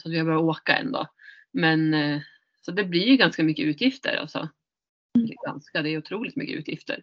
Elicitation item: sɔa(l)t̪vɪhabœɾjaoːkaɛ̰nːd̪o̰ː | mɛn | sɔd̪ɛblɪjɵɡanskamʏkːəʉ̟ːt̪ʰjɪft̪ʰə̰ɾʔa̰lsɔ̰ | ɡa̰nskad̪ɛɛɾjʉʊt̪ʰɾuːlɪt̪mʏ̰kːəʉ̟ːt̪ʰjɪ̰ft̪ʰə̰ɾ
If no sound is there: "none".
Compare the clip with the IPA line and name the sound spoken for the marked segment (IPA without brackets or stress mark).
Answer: none